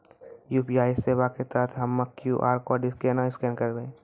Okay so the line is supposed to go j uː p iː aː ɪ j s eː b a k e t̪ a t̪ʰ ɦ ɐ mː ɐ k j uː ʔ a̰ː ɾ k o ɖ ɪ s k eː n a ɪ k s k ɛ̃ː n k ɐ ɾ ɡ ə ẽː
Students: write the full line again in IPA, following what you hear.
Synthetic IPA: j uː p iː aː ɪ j s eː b a k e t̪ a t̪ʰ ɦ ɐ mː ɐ k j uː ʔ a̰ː ɾ k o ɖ ɪ s k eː n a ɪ s k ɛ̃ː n k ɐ ɾ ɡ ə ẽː